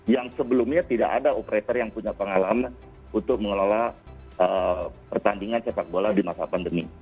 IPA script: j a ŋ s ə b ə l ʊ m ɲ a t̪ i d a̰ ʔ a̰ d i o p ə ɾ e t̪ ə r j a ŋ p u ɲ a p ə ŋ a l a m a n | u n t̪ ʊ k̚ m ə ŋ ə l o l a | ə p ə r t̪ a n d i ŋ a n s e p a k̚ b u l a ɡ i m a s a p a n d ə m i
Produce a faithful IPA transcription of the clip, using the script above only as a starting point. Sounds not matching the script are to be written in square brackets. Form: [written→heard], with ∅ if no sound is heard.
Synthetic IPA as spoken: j a ŋ s ə b ə l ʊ m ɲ a t̪ i d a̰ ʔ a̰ d [i→a] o p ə ɾ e t̪ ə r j a ŋ p u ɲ a p ə ŋ a l a m a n | u n t̪ ʊ k̚ m ə ŋ ə l o l a | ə p ə r t̪ a n d i ŋ a n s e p a k̚ b [u→o] l a [ɡ→d] i m a s a p a n d ə m i